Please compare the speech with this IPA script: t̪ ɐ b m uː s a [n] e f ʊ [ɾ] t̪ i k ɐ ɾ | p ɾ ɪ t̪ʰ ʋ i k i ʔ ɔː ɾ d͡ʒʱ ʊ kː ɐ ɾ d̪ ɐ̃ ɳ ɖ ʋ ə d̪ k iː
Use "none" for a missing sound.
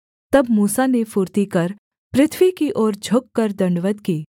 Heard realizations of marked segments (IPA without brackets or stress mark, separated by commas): n, ɾ